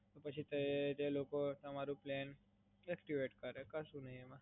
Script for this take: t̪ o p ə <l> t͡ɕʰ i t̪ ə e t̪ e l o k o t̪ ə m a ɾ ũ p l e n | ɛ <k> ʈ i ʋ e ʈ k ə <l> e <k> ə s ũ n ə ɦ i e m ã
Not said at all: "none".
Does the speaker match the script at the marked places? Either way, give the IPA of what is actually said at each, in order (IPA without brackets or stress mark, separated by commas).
none, k, ɾ, k